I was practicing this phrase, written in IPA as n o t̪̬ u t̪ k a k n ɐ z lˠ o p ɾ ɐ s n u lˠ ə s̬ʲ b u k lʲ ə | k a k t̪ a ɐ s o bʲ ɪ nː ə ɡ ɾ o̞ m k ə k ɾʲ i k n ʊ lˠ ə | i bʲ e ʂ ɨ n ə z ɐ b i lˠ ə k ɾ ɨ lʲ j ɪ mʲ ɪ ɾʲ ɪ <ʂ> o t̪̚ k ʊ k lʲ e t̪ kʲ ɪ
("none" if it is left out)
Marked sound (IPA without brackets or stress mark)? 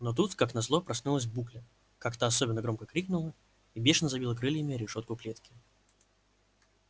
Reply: ʂ